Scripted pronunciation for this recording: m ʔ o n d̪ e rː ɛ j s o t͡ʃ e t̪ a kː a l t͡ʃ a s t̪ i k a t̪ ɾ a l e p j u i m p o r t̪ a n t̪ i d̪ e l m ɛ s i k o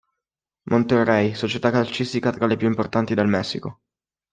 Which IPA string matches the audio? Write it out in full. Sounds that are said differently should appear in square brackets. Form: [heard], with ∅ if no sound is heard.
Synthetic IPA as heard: m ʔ o n [t̪] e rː ɛ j s o t͡ʃ e t̪ a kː a l t͡ʃ [i] s t̪ i k a t̪ ɾ a l e p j u i m p o r t̪ a n t̪ i d̪ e l m ɛ [sː] i k o